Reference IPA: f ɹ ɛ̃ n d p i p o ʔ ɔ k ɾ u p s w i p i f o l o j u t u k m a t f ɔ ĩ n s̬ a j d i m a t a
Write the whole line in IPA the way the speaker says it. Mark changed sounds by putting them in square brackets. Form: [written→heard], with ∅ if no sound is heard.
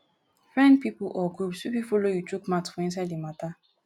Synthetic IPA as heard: f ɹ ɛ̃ n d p i p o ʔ ɔ [k→ɡ] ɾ u p s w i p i f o l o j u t u k m a t f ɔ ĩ n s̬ a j d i m a t a